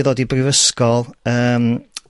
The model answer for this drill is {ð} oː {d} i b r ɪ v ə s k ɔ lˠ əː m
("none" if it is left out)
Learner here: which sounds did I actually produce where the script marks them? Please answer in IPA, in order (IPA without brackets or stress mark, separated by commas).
ð, d